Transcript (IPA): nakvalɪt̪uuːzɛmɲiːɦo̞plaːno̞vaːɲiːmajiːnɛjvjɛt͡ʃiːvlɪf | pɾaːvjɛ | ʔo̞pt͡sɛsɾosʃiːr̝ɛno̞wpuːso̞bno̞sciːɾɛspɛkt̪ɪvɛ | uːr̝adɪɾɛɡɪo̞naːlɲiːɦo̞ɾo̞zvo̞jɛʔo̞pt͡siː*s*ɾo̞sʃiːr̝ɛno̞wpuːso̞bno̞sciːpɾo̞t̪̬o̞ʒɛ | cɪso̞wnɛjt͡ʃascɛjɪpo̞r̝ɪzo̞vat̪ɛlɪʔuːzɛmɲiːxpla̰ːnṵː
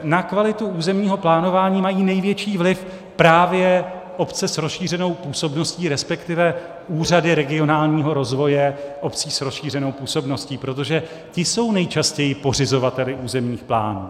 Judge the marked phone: correct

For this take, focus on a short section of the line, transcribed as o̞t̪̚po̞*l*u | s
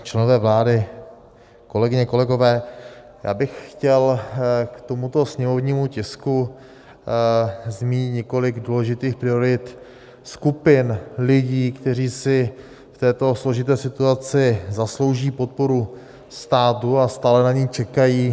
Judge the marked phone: incorrect: ɾ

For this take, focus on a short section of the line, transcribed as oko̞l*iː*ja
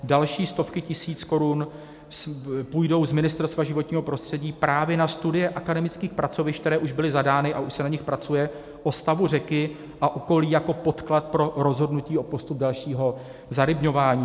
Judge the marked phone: correct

